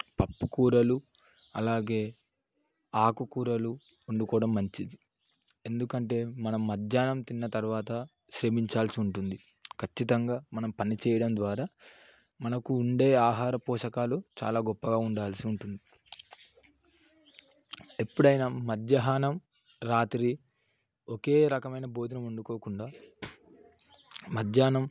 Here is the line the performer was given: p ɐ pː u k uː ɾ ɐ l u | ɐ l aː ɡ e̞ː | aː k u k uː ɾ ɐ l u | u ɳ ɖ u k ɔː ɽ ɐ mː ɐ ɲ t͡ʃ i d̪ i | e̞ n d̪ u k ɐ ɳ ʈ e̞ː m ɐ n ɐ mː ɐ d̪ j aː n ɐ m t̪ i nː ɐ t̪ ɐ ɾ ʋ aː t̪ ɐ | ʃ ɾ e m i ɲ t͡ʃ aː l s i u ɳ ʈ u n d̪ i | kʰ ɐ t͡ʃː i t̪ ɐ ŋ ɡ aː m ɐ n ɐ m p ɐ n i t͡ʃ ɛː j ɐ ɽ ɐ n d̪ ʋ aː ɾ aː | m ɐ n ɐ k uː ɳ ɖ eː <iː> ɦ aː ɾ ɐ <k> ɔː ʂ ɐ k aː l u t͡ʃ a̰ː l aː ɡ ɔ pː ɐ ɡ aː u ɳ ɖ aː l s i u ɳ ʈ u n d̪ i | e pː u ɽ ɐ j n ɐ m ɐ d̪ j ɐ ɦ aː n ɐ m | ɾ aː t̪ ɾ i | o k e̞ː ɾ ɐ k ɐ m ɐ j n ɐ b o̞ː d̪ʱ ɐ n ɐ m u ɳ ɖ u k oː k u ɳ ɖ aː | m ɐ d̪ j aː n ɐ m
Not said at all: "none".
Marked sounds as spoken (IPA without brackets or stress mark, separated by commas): aː, p